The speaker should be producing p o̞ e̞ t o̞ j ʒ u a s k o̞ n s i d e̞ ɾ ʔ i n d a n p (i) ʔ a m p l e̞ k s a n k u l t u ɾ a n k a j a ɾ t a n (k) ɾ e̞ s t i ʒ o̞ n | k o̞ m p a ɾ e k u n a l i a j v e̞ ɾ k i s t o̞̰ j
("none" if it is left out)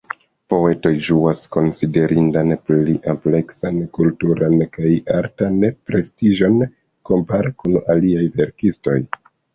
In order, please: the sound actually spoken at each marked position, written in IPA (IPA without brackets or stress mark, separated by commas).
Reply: i, p